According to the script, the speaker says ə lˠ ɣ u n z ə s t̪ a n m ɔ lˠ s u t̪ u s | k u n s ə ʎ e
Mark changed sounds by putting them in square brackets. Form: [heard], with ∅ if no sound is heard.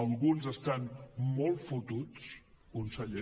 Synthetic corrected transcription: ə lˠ ɣ u n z ə s t̪ a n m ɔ lˠ [f] u t̪ u [t͡s] | k u n s ə ʎ e